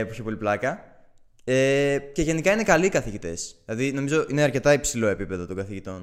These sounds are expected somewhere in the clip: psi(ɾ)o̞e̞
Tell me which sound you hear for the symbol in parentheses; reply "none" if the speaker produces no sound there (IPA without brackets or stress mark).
l